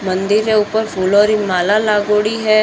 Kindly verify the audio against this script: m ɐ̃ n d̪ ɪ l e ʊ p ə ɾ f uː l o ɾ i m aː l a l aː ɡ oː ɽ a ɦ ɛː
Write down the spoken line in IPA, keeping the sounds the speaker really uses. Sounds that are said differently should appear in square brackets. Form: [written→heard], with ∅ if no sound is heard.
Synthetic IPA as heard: m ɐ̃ n d̪ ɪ [l→ɾ] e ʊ p ə ɾ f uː l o ɾ i m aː l a l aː ɡ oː ɽ [a→i] ɦ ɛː

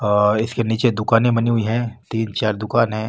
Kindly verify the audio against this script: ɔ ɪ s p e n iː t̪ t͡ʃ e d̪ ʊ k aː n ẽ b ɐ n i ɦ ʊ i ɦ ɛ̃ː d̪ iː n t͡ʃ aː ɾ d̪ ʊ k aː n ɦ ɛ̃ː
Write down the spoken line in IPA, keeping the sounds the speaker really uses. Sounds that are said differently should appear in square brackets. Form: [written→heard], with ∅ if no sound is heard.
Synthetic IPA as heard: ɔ ɪ s [p→k] e n iː [t̪→∅] t͡ʃ e d̪ ʊ k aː n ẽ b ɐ n i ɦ ʊ i ɦ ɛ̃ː [d̪→t̪] iː n t͡ʃ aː ɾ d̪ ʊ k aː n ɦ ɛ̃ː

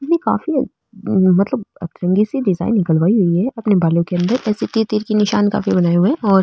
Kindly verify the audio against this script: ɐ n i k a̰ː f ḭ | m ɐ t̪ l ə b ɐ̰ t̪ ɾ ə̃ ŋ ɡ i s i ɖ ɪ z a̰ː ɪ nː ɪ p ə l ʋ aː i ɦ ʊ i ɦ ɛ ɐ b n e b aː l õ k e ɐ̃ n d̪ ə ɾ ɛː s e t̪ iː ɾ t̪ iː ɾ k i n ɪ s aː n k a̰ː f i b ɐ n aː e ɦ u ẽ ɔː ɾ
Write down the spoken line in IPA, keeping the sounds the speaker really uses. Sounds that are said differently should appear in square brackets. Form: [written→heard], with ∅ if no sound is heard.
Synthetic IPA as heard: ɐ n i k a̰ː f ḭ | m ɐ t̪ l ə b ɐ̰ t̪ ɾ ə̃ ŋ ɡ i s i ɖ ɪ z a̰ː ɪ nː ɪ [p→k] ə l ʋ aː i ɦ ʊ i ɦ ɛ ɐ [b→p] n e b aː l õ k e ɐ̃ n d̪ ə ɾ ɛː s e t̪ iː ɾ t̪ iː ɾ k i n ɪ [s→ʃ] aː n k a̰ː f i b ɐ n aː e ɦ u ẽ ɔː ɾ

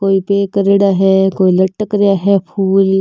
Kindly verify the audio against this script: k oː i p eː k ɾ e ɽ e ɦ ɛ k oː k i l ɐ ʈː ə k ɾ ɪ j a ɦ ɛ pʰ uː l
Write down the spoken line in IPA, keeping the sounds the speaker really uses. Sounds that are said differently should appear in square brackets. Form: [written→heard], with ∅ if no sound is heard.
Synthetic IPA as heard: k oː i p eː k ɾ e ɽ [e→a] ɦ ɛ k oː [k→∅] i l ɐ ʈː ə k ɾ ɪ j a ɦ ɛ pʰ uː l

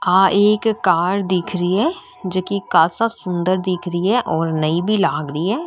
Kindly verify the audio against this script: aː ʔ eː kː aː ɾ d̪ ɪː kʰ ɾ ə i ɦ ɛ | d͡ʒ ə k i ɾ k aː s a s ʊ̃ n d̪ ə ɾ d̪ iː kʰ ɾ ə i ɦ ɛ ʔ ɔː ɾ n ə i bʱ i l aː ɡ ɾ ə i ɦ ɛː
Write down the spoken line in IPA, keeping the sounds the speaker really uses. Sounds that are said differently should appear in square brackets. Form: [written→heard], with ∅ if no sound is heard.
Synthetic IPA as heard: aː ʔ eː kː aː ɾ d̪ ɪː kʰ ɾ ə i ɦ ɛ | d͡ʒ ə k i [ɾ→∅] k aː s a s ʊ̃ n d̪ ə ɾ d̪ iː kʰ ɾ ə i ɦ ɛ ʔ ɔː ɾ n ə i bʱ i l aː ɡ ɾ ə i ɦ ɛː

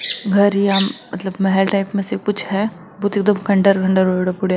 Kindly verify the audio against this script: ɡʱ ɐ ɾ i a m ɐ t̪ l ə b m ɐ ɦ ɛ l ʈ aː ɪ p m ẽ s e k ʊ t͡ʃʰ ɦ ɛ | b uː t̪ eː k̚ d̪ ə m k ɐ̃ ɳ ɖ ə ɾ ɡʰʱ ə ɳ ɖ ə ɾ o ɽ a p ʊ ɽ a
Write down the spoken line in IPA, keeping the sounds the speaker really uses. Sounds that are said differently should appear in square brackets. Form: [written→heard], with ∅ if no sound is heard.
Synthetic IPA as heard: ɡʱ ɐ ɾ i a m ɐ t̪ l ə b m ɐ ɦ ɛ l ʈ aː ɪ p m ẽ s e k ʊ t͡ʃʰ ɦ ɛ | b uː t̪ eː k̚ d̪ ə m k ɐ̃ ɳ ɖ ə ɾ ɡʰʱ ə ɳ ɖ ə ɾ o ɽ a p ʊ ɽ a

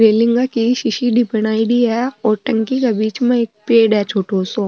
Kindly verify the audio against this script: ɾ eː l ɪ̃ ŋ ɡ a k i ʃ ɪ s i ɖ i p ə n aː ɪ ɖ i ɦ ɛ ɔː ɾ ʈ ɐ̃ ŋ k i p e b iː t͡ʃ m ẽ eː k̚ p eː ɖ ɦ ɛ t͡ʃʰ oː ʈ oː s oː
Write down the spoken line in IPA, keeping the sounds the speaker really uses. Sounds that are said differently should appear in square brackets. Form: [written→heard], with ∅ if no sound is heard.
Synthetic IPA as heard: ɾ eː l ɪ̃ ŋ ɡ a k i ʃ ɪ [s→ʃ] i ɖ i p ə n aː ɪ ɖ i ɦ ɛ ɔː ɾ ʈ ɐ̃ ŋ k i [p→k] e b iː t͡ʃ m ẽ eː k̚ p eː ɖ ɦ ɛ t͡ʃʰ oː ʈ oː s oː

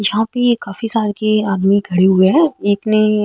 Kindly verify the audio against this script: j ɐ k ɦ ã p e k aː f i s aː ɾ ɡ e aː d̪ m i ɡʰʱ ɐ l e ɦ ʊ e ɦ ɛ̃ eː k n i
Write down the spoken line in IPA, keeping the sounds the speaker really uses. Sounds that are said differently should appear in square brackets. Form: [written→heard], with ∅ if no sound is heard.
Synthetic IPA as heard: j ɐ [k→∅] ɦ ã p e k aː f i s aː ɾ [ɡ→k] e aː d̪ m i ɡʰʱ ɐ [l→ɽ] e ɦ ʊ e ɦ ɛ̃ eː k n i

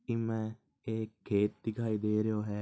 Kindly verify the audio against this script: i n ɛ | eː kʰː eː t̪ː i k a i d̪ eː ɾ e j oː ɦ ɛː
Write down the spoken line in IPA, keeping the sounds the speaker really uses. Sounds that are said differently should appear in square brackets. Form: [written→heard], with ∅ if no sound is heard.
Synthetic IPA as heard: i [n→m] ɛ | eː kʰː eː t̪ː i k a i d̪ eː ɾ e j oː ɦ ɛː

